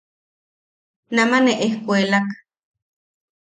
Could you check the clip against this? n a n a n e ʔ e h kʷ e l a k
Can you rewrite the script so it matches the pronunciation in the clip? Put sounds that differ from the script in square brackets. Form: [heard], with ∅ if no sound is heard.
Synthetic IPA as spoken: n a [m] a n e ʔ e h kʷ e l a k